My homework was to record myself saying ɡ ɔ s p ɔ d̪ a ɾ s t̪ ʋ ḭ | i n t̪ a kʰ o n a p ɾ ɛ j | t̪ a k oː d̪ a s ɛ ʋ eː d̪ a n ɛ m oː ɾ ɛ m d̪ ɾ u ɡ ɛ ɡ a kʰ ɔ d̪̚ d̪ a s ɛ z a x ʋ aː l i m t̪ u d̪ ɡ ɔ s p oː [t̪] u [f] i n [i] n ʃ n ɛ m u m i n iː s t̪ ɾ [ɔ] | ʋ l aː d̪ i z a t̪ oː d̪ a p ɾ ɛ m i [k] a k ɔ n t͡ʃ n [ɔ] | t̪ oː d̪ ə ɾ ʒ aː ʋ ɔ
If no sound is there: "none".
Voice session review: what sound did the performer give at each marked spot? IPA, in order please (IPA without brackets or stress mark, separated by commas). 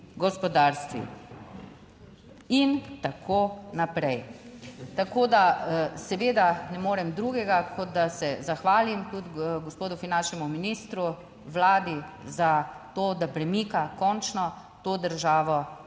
d̪, f, a, u, k, ɔ